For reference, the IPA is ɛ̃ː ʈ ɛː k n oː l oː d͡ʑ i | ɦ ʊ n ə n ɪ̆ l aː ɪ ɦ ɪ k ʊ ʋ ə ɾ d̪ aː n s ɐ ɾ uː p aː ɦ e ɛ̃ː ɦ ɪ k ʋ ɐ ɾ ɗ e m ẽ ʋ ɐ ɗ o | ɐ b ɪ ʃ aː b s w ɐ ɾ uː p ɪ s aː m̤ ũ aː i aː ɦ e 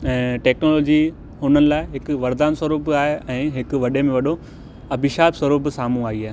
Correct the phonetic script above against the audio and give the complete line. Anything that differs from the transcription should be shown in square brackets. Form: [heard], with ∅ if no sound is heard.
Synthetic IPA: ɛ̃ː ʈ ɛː k n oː l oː d͡ʑ i | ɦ ʊ n ə n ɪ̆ l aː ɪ ɦ ɪ k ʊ ʋ [ɐ] ɾ d̪ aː n s ɐ ɾ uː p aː ɦ e ɛ̃ː ɦ ɪ k ʋ ɐ [∅] ɗ e m ẽ ʋ ɐ ɗ o | ɐ b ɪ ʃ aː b s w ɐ ɾ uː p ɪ s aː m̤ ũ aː i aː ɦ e